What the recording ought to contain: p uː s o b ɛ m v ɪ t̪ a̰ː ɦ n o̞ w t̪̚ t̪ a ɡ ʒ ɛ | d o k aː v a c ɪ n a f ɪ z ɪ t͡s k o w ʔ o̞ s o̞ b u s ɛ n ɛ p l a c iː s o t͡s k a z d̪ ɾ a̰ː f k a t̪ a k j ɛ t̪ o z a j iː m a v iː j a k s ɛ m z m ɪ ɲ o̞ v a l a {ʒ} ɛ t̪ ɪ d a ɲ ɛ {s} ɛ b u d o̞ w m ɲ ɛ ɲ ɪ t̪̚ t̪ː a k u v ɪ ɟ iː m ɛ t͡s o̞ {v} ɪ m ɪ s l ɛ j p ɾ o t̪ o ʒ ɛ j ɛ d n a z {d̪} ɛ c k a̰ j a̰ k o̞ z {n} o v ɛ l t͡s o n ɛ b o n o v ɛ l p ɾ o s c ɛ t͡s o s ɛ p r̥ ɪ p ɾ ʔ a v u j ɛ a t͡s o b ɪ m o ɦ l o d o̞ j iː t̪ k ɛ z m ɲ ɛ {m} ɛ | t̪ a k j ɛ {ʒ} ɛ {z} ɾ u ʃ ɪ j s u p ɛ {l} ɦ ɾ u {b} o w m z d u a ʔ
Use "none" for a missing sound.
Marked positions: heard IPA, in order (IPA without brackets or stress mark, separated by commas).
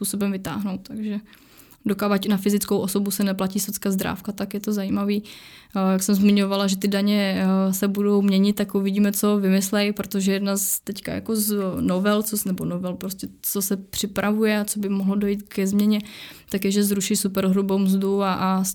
ʒ, s, v, t̪, n, ɲ, ʒ, z, ɾ, b